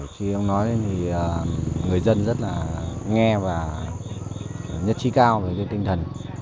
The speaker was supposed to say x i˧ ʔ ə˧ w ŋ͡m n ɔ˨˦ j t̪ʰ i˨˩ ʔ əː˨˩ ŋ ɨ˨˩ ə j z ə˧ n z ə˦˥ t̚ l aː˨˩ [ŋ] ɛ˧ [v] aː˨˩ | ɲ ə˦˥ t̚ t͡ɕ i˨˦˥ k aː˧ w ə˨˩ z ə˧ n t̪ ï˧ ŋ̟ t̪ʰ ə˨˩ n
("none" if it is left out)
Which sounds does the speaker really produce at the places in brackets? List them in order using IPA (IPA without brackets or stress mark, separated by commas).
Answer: ŋ, v